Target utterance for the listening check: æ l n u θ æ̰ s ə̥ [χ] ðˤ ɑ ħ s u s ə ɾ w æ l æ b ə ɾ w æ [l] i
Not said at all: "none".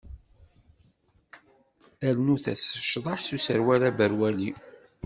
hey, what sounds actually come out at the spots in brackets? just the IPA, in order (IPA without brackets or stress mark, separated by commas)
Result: ʃ, l